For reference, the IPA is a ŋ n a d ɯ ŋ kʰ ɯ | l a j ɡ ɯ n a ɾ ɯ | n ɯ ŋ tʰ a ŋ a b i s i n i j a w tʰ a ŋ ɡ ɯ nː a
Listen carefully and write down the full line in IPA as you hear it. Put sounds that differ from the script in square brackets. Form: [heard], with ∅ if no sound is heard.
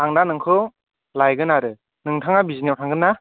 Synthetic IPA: a ŋ n a [n] ɯ ŋ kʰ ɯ | l a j ɡ ɯ n a ɾ ɯ | n ɯ ŋ tʰ a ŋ a b i [z] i n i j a w tʰ a ŋ ɡ ɯ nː a